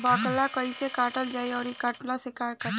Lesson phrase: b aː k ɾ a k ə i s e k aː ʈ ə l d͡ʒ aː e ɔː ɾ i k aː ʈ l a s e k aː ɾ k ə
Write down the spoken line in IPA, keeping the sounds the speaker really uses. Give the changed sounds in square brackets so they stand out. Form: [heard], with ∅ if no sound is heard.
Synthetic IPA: b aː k [l] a k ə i s e k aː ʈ ə l d͡ʒ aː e ɔː ɾ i k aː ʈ l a s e k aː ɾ k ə